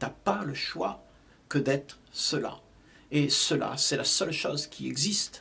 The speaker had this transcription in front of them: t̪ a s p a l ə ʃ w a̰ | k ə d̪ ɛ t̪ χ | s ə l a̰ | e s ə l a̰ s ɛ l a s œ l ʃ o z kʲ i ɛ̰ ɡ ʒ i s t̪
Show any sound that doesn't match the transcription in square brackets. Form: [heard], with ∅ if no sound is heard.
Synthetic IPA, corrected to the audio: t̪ a [∅] p a l ə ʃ w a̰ | k ə d̪ ɛ t̪ χ | s ə l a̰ | e s ə l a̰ s ɛ l a s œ l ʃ o z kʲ i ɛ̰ ɡ [z] i s t̪